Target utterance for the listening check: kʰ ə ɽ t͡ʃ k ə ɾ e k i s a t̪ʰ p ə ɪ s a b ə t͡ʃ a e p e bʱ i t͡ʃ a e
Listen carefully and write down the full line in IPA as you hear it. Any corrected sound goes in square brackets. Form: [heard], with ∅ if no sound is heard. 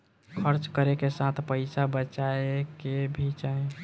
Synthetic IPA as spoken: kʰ ə [ɾ] t͡ʃ k ə ɾ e k [e] s a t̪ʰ p ə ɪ s a b ə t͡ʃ a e [k] e bʱ i t͡ʃ a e